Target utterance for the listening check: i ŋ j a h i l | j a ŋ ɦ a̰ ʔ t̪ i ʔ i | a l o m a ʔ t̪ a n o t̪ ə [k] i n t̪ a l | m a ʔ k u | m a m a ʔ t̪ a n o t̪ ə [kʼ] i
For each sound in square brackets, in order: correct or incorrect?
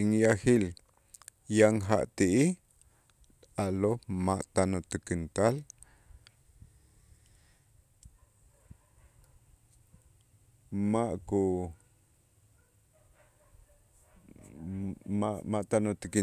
correct, incorrect: k

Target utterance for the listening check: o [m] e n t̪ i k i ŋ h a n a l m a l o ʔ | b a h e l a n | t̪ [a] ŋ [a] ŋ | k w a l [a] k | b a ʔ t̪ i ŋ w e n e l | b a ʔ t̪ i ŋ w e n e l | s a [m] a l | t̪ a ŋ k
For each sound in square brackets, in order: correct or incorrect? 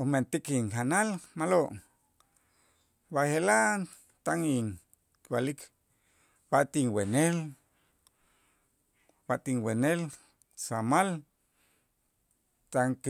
correct, correct, incorrect: i, incorrect: i, correct

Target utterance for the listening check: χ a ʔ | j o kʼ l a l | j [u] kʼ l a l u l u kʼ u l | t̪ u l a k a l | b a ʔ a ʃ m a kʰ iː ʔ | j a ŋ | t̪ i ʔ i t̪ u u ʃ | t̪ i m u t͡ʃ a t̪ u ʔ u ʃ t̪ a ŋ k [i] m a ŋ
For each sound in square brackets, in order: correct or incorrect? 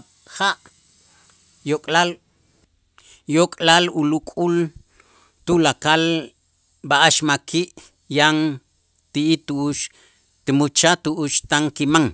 incorrect: o, correct

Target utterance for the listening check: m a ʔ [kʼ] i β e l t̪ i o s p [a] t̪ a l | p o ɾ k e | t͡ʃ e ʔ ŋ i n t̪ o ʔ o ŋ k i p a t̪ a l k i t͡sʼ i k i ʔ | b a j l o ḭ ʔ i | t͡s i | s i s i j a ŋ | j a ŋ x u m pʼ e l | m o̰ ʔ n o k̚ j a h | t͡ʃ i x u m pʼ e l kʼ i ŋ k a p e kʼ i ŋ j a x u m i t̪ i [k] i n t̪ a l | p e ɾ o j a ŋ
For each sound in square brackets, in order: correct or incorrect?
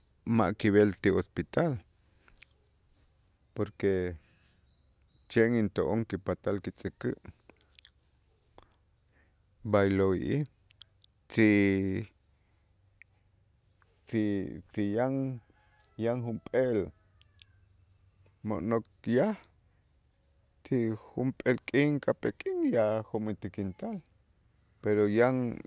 incorrect: k, incorrect: i, correct

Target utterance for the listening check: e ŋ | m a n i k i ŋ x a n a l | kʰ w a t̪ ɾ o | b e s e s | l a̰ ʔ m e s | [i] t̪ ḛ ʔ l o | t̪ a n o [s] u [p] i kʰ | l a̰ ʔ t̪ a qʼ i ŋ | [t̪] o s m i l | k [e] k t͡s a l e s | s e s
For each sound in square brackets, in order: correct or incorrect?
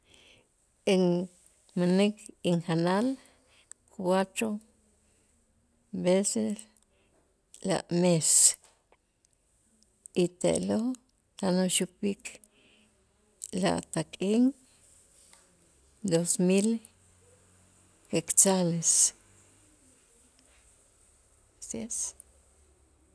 correct, incorrect: ʃ, correct, incorrect: d̪, correct

